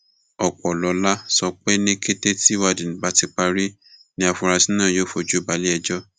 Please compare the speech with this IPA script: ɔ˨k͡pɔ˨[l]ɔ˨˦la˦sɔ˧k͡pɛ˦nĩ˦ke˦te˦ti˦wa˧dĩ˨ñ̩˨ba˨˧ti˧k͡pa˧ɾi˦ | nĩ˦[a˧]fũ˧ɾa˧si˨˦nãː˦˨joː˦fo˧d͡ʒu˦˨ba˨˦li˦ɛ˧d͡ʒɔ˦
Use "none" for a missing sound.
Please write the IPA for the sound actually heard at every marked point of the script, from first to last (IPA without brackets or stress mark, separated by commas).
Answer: l, a˧